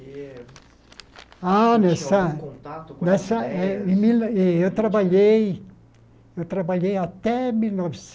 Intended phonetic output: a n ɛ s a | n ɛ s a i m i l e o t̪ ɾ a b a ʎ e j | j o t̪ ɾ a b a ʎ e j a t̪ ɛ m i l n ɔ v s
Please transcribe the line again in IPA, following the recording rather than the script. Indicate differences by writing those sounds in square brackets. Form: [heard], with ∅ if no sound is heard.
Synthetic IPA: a n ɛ s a | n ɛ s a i m i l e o t̪ ɾ a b a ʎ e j | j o t̪ ɾ a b a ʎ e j a t̪ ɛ m i l n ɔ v s